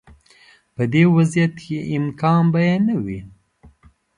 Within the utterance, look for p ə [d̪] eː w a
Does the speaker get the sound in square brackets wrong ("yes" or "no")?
no